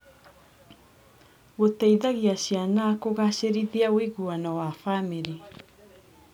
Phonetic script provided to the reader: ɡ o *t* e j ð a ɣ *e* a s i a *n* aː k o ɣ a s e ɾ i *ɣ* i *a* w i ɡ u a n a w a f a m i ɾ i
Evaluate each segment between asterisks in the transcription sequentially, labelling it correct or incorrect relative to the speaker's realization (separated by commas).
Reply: correct, incorrect, correct, incorrect, correct